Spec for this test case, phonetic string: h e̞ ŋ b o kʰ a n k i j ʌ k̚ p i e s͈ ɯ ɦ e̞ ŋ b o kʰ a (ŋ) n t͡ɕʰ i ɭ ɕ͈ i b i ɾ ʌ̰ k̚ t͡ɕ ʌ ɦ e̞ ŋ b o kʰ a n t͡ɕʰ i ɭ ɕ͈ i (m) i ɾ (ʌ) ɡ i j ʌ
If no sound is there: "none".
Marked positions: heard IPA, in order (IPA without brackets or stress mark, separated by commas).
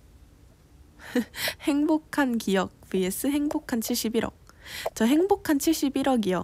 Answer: none, b, ʌ